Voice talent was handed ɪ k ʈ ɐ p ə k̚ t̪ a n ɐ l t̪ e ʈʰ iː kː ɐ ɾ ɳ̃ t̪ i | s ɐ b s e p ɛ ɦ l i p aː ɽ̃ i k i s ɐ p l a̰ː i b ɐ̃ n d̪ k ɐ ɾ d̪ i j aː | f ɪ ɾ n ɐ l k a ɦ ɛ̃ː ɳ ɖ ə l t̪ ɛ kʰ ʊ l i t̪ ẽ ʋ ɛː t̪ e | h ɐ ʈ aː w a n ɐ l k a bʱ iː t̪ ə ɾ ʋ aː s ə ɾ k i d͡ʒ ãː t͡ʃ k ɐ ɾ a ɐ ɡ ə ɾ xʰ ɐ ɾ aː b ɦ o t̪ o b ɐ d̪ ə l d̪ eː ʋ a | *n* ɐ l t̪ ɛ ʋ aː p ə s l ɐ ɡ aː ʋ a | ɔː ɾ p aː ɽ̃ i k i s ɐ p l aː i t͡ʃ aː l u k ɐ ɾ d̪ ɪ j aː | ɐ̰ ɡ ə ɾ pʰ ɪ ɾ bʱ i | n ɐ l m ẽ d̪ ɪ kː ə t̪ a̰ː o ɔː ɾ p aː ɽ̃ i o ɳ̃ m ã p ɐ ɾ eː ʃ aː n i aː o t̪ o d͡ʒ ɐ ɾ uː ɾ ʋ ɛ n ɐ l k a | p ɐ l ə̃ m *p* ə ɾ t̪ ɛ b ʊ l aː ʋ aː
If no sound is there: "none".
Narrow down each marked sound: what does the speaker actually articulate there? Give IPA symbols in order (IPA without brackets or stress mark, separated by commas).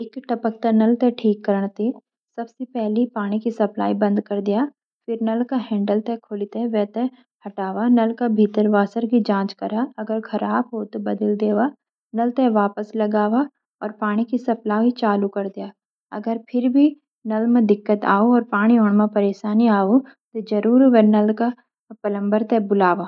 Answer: n, b